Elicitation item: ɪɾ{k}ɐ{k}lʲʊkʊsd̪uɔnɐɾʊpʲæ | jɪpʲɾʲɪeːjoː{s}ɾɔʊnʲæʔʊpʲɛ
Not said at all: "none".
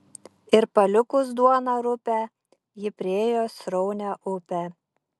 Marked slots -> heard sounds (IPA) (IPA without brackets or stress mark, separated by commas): p, none, s